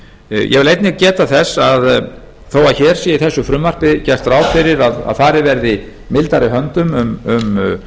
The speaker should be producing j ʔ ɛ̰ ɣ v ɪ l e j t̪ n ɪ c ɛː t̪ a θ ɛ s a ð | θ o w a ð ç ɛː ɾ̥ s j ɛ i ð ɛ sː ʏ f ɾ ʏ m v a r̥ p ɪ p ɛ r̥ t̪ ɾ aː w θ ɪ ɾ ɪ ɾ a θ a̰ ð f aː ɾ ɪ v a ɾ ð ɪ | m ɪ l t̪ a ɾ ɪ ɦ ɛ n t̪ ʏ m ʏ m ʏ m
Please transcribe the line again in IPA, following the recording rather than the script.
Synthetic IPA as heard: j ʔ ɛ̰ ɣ v ɪ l e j t̪ n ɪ c ɛː t̪ a θ ɛ s a ð | θ o w a ð ç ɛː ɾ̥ s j ɛ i θ ɛ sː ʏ f ɾ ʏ m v a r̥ p ɪ c ɛ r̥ t̪ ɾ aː w f ɪ ɾ ɪ ɾ a ð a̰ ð f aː ɾ ɪ v ɛ ɾ ð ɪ | m ɪ l t̪ a ɾ ɪ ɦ œ n t̪ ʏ m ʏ m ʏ m